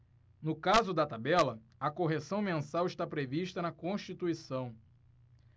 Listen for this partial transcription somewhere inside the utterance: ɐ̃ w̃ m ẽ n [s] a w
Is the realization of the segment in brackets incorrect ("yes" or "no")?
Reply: no